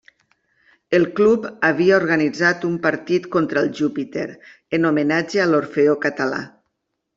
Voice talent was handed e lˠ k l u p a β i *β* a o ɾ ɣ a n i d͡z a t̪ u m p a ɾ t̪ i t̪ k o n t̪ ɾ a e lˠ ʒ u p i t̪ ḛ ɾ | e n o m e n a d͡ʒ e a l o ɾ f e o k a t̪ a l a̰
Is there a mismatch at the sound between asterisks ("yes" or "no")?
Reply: yes